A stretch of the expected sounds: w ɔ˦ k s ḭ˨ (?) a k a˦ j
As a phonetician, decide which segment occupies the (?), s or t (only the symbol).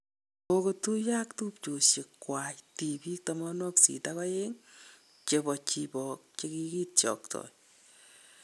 t